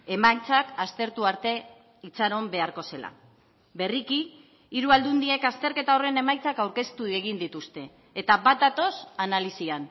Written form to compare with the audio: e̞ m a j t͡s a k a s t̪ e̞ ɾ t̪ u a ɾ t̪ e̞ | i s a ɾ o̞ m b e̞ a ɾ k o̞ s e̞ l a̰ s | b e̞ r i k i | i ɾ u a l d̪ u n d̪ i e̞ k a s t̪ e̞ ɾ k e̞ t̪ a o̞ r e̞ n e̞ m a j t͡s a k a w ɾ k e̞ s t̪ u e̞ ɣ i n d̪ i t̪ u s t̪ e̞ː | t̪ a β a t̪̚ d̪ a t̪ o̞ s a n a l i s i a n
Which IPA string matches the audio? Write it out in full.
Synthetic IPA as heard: e̞ m a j t͡s a k a s t̪ e̞ ɾ t̪ u a ɾ t̪ e̞ | i t͡s a ɾ o̞ m b e̞ a ɾ k o̞ s e̞ l a̰ | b e̞ r i k i | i ɾ u a l d̪ u n d̪ i e̞ k a s t̪ e̞ ɾ k e̞ t̪ a o̞ r e̞ n e̞ m a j t͡s a k a w ɾ k e̞ s t̪ u e̞ ɣ i n d̪ i t̪ u s t̪ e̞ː | t̪ a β a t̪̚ d̪ a t̪ o̞ s a n a l i s i a n